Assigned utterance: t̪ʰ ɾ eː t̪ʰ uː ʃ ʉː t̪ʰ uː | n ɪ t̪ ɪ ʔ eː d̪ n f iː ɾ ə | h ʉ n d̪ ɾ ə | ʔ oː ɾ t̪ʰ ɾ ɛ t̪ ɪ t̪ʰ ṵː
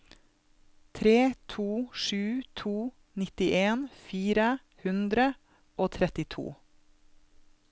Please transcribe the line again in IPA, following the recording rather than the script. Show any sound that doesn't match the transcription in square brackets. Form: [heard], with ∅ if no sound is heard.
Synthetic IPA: t̪ʰ ɾ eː t̪ʰ uː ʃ ʉː t̪ʰ uː | n ɪ t̪ ɪ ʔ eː [∅] n f iː ɾ ə | h ʉ n d̪ ɾ ə | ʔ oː [∅] t̪ʰ ɾ ɛ t̪ ɪ t̪ʰ ṵː